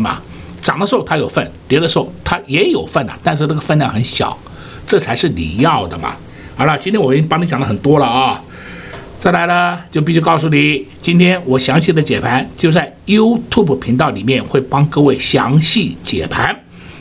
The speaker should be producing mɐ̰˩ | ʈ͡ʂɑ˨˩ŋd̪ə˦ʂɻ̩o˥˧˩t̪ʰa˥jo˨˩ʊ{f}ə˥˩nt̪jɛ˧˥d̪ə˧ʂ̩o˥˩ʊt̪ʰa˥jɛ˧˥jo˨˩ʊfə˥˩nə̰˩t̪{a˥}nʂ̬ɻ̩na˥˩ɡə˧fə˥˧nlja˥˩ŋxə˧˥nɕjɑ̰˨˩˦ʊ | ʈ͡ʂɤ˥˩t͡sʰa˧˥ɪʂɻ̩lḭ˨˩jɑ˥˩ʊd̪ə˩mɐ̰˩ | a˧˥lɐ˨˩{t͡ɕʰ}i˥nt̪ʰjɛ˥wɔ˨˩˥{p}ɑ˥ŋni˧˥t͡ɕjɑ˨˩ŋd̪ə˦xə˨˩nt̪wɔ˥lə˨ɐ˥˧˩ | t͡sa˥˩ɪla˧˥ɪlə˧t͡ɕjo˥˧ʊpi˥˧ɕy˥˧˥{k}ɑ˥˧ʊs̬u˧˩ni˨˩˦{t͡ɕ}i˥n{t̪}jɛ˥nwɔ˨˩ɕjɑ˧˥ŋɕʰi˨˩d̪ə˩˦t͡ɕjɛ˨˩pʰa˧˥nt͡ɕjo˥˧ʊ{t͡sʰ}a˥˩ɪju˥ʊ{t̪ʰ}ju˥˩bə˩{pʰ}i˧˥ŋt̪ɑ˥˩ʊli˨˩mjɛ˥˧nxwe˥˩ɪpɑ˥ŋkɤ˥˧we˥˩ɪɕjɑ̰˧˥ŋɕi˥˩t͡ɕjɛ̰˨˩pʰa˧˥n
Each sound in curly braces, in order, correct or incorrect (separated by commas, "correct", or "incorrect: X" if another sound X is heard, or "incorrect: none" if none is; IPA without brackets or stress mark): correct, incorrect: a˥˧, incorrect: t͡ɕ, correct, correct, correct, incorrect: t̪ʰ, incorrect: t͡s, correct, correct